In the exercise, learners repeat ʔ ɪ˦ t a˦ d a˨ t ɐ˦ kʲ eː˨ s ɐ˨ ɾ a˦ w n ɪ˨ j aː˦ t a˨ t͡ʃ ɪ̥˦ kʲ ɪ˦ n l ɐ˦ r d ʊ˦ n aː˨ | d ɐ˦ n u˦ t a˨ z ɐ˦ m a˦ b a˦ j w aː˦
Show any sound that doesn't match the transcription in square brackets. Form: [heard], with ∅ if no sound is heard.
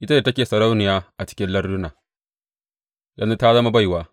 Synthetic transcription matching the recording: ʔ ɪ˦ t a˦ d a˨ t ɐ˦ kʲ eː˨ s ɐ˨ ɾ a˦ w n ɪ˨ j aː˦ [ʔ] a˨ t͡ʃ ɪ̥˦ kʲ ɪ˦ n l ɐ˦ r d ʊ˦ n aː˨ | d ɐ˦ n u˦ t [a˦] z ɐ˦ m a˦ b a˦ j w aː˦